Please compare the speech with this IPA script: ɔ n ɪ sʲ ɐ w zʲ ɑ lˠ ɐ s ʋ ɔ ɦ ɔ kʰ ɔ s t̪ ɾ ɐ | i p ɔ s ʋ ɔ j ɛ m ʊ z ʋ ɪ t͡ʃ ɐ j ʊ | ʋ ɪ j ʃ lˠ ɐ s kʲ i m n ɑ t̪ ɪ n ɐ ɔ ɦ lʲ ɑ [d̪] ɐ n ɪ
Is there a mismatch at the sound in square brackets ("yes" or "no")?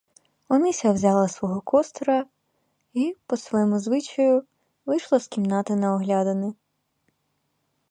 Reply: no